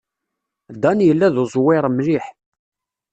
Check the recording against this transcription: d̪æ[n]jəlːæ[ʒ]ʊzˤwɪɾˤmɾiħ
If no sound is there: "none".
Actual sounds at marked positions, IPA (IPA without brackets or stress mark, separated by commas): n, ð